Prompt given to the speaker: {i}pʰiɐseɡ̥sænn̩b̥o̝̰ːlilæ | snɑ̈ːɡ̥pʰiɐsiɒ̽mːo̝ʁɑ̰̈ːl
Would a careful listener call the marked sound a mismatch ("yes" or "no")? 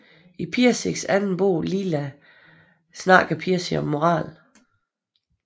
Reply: no